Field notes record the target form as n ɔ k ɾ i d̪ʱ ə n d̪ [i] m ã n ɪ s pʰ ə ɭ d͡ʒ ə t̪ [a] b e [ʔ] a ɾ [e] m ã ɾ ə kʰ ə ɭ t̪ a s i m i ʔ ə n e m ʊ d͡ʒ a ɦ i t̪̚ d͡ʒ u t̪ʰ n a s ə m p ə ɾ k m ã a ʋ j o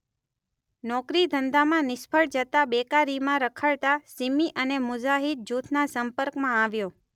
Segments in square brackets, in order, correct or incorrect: incorrect, correct, incorrect, incorrect

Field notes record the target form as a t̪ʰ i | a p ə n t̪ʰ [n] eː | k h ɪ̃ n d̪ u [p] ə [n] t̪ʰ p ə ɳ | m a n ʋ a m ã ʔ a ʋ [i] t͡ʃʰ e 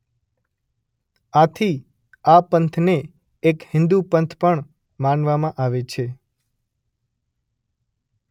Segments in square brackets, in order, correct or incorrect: correct, correct, correct, incorrect

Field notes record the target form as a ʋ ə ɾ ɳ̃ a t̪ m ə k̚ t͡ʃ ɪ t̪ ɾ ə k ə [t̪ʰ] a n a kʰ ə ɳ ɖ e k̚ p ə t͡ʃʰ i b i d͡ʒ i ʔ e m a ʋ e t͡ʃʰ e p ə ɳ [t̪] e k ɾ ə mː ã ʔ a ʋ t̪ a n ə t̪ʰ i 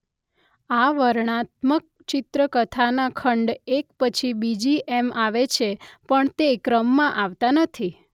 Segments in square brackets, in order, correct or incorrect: correct, correct

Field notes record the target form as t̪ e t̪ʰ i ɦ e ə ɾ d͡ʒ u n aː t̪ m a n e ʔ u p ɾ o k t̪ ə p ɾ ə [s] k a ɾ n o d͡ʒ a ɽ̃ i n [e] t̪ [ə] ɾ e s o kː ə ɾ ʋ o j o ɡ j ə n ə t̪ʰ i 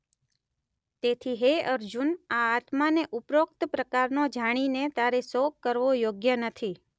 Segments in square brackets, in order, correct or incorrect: incorrect, correct, incorrect

